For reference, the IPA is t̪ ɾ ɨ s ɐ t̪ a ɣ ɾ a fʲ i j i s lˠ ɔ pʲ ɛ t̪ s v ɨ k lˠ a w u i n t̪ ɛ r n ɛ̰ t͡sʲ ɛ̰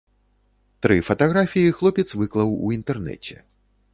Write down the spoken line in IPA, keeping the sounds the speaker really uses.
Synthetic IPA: t̪ ɾ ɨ f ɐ t̪ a ɣ ɾ a fʲ i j i x lˠ ɔ pʲ ɛ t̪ s v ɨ k lˠ ɐ w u i n t̪ ɛ r n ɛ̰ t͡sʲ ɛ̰